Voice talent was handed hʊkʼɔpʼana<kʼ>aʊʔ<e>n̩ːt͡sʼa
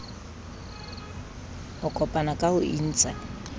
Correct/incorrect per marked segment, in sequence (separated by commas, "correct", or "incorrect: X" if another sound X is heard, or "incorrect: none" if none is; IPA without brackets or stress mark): correct, incorrect: i